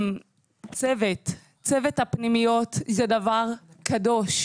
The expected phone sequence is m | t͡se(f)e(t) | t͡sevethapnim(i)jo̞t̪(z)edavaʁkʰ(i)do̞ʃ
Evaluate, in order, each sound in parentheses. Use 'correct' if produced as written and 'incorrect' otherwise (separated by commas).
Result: incorrect, correct, correct, correct, incorrect